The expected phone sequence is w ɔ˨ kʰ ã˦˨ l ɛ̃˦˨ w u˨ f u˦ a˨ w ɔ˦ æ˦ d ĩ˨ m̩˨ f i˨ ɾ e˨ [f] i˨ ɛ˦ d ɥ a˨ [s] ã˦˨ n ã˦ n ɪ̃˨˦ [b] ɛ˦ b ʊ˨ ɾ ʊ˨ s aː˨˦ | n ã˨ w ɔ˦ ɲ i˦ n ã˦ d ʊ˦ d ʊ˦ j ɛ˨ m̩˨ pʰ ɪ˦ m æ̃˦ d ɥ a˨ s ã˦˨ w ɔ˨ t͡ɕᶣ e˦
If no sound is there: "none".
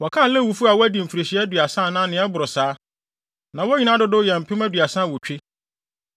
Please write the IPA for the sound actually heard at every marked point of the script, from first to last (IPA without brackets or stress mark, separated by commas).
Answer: ɕ, s, none